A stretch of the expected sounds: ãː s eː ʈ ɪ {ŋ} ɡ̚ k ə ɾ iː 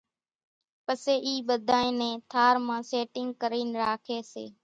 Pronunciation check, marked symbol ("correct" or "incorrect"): correct